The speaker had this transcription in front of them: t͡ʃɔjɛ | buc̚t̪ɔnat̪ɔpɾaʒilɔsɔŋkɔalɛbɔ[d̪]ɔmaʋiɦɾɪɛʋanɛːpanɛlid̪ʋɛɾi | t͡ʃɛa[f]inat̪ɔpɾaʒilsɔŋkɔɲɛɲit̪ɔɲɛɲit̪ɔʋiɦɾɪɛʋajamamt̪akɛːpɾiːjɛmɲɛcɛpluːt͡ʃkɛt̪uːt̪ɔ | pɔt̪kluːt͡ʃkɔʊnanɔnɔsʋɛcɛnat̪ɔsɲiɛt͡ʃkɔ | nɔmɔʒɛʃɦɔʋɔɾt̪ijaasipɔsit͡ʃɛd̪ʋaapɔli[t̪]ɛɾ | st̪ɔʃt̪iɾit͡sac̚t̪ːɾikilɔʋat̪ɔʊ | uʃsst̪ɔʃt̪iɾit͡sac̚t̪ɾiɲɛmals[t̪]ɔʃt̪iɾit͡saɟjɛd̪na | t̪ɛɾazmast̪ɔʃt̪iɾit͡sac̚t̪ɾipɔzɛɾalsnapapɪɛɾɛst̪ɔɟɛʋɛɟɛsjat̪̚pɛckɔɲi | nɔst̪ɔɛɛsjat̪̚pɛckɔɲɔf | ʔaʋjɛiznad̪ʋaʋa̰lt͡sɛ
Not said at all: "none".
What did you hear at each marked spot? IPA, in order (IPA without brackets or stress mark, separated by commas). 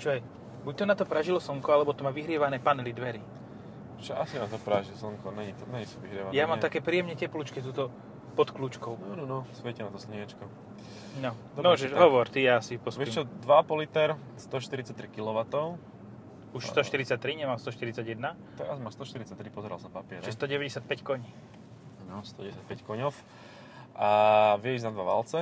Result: t̪, s, t̪, t̪